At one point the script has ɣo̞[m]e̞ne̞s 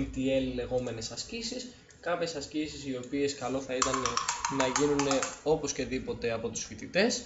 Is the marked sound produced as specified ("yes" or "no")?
yes